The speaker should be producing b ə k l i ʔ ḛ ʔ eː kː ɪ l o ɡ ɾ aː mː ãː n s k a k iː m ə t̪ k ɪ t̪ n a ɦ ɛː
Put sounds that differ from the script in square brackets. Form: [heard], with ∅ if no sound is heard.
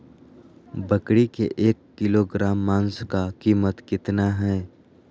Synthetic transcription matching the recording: b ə k [ɽ] i [k] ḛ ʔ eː kː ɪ l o ɡ ɾ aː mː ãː n s k a k iː m ə t̪ k ɪ t̪ n a ɦ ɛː